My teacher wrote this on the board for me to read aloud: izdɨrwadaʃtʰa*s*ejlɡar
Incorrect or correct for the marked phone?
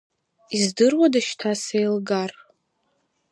correct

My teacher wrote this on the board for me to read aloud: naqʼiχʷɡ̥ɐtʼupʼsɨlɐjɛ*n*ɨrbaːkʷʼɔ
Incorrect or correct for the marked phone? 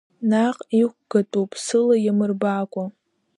incorrect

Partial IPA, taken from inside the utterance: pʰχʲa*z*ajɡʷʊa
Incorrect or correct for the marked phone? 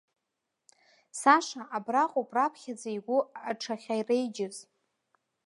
incorrect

